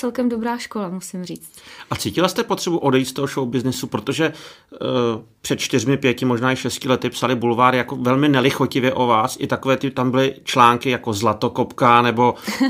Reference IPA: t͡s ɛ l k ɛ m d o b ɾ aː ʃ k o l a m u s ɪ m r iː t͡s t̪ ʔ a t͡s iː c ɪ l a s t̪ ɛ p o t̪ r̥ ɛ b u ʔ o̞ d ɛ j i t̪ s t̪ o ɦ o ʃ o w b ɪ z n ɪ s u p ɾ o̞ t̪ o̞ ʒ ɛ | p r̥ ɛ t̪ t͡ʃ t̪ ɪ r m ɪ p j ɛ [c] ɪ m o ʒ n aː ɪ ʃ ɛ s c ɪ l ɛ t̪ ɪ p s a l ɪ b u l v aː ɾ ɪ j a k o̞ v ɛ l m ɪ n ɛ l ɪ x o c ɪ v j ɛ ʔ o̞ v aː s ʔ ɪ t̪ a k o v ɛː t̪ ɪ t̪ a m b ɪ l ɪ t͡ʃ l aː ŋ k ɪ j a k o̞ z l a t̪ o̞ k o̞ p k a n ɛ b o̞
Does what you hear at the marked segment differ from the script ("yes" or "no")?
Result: no